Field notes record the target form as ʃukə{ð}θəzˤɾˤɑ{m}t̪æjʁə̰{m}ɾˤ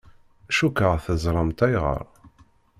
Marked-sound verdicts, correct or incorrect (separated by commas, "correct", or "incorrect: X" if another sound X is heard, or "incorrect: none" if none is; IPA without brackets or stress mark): incorrect: ʁ, correct, incorrect: none